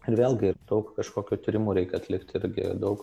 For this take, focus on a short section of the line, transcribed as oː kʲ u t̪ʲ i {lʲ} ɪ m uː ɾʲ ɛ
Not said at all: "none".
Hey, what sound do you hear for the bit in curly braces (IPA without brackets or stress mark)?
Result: ɾʲ